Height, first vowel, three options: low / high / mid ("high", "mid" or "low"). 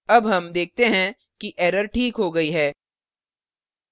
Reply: low